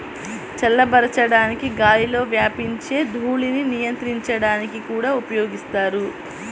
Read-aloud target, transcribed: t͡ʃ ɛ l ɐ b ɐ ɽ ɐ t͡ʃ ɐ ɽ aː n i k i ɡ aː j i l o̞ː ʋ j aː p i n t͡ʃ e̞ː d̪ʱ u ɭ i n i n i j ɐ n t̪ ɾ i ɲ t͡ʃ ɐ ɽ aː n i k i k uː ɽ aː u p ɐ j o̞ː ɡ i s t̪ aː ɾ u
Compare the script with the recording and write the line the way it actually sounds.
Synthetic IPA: t͡ʃ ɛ lː ɐ b ɐ ɾ ɐ t͡ʃ ɐ ɽ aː n i k i ɡ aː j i l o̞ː ʋ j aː p i ɲ t͡ʃ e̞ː d̪ʱ uː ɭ i n i n i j ɐ n t̪ ɾ i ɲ t͡ʃ ɐ ɽ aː n i k i k uː ɽ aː u p ɐ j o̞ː ɡ i s t̪ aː ɾ u